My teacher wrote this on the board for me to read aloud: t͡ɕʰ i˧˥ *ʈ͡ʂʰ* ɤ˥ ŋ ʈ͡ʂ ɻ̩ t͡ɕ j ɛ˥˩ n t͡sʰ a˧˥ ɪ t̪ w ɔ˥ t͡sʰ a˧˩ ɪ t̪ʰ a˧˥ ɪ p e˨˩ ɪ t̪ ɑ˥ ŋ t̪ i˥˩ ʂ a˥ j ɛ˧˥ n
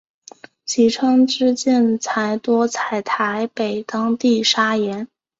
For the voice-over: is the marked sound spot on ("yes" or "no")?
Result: yes